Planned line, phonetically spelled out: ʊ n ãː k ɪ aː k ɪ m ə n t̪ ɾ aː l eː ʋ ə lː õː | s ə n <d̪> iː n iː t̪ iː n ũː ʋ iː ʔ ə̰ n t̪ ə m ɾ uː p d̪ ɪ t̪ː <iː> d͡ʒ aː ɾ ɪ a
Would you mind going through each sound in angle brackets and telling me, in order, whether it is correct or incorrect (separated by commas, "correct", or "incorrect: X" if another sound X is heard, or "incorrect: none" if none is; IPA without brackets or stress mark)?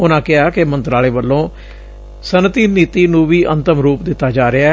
incorrect: t̪, incorrect: aː